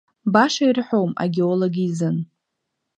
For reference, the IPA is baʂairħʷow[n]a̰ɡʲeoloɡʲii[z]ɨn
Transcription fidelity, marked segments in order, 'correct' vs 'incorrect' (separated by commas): incorrect, correct